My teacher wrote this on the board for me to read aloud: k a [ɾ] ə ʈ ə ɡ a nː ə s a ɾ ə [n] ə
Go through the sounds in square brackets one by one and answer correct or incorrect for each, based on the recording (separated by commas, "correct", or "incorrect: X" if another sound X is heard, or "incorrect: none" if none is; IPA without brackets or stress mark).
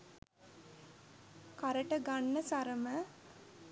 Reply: correct, incorrect: m